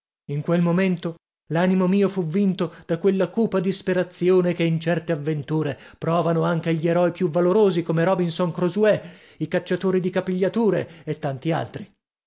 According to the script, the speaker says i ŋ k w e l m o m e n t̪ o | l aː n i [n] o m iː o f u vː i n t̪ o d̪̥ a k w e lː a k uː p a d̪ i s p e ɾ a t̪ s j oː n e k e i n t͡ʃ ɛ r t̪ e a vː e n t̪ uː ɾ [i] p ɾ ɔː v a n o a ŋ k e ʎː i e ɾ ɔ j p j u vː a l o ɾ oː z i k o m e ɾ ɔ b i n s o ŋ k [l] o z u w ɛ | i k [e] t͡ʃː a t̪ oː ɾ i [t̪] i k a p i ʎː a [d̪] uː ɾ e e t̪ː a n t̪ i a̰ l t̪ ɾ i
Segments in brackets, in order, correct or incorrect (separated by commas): incorrect, incorrect, incorrect, incorrect, incorrect, incorrect